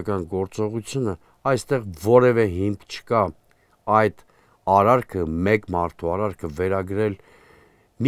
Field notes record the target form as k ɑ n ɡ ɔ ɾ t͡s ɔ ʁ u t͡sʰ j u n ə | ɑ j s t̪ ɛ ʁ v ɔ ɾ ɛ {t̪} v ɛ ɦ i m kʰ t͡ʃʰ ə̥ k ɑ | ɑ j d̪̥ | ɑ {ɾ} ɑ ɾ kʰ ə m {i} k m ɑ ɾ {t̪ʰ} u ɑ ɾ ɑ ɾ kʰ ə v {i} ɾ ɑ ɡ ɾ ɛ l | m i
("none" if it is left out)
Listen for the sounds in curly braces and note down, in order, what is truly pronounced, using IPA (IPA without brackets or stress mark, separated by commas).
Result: none, ɾ, ɛ, t̪ʰ, ɛ